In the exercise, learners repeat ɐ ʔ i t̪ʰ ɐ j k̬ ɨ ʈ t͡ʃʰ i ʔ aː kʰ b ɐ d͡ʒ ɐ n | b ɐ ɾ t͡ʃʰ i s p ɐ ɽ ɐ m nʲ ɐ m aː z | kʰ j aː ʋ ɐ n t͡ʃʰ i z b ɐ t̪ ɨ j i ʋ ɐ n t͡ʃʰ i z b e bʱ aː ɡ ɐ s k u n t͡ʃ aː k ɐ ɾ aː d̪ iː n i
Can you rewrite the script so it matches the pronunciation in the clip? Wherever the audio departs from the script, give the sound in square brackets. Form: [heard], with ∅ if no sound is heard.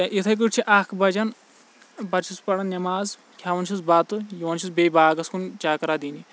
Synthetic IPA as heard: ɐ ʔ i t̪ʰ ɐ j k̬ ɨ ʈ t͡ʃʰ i ʔ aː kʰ b ɐ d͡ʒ ɐ n | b ɐ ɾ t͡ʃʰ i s p ɐ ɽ ɐ [n] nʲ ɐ m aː z | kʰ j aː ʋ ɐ n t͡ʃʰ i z b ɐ t̪ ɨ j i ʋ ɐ n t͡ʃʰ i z b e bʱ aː ɡ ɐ s k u n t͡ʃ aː k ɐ ɾ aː d̪ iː n i

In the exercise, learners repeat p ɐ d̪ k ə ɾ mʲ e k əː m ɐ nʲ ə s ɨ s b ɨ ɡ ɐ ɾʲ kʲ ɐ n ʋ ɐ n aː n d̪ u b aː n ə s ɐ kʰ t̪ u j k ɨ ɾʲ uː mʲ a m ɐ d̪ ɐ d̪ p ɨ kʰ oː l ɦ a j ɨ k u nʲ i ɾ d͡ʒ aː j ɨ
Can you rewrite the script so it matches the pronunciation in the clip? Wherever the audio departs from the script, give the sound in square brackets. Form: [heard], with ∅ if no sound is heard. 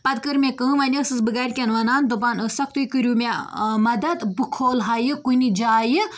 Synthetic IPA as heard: p ɐ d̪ k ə ɾ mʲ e k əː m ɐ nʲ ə s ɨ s b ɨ ɡ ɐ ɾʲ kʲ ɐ n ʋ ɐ n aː n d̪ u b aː n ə s ɐ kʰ t̪ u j k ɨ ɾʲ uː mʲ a m ɐ d̪ ɐ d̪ [b] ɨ kʰ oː l ɦ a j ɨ k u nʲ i [∅] d͡ʒ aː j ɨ

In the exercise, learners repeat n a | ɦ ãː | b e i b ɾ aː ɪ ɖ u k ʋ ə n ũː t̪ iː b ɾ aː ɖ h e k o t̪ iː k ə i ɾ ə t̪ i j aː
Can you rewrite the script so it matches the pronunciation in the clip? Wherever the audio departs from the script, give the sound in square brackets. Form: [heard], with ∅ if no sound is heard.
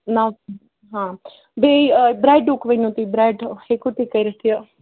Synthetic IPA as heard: n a | ɦ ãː | b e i b ɾ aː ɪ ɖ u k ʋ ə n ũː t̪ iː b ɾ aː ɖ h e k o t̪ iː k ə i ɾ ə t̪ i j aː

